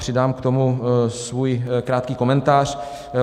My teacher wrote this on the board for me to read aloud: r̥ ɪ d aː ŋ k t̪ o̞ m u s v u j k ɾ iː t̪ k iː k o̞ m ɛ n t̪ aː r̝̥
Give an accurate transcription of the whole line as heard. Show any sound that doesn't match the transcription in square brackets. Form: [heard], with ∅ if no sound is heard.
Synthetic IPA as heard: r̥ ɪ d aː [m] k t̪ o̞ m u s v u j k ɾ [aː] t̪ k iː k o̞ m ɛ n t̪ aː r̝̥